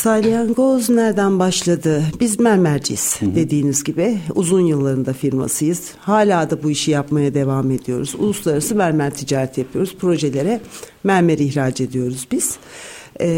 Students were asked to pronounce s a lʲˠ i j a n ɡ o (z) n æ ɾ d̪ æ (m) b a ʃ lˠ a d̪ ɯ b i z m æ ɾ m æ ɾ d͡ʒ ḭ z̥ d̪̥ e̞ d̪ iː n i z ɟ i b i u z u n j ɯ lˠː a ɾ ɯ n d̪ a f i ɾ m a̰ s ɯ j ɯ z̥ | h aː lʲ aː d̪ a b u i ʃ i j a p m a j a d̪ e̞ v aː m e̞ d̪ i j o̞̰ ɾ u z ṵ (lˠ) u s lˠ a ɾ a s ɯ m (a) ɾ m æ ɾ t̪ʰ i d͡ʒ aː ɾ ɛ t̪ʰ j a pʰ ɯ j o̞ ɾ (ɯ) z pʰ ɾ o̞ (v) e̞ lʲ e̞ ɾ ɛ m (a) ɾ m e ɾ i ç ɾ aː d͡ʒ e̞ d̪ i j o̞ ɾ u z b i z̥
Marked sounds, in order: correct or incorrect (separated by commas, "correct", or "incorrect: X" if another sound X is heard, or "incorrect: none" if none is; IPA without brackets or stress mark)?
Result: correct, incorrect: n, correct, incorrect: æ, incorrect: u, incorrect: ʒ, incorrect: æ